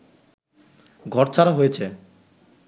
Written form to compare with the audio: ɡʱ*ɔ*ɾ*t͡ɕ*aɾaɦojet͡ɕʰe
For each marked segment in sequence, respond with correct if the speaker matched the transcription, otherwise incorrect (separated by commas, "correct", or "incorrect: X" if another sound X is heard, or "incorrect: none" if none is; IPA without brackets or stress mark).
correct, incorrect: t͡ɕʰ